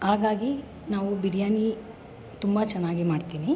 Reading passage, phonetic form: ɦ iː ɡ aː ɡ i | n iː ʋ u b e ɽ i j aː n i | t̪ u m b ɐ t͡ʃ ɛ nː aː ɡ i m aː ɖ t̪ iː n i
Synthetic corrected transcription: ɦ aː ɡ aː ɡ i | n aː ʋ u b i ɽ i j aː n i | t̪ u m b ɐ t͡ʃ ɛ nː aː ɡ i m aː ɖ t̪ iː n i